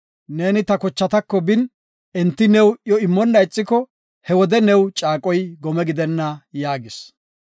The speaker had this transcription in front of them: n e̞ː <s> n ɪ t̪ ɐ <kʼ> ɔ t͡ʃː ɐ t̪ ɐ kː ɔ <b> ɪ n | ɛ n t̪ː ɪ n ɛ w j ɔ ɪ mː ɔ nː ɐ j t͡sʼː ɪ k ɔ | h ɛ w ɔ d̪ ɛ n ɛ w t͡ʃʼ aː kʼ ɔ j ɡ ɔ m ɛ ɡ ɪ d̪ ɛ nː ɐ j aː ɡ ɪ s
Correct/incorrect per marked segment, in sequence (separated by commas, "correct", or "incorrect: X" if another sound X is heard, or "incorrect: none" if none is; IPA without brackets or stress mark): incorrect: none, incorrect: k, correct